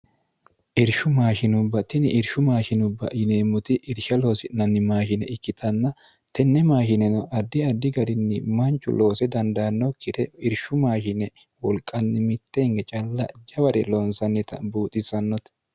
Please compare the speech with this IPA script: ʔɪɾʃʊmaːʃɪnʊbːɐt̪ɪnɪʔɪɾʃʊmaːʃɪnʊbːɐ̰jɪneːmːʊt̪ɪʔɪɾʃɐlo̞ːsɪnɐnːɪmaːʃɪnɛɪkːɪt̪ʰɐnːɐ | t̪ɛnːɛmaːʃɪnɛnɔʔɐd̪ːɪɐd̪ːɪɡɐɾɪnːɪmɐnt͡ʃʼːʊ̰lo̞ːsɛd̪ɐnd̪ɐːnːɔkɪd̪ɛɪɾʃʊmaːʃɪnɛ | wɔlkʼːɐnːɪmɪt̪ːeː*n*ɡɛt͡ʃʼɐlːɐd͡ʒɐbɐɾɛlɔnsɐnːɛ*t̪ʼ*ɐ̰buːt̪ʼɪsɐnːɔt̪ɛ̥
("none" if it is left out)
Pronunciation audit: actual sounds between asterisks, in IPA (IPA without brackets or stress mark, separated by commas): ŋ, t̪